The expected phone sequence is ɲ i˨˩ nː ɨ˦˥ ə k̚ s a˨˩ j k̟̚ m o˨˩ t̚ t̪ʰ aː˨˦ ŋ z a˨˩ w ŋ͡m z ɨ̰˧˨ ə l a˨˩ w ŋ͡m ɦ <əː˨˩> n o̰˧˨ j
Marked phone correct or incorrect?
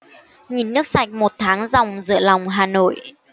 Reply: incorrect